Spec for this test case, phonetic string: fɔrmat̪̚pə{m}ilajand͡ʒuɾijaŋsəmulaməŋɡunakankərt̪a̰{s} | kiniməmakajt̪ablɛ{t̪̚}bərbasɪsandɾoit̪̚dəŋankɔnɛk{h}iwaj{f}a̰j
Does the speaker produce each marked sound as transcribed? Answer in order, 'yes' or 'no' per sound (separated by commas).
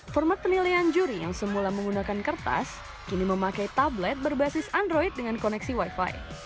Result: no, yes, yes, no, yes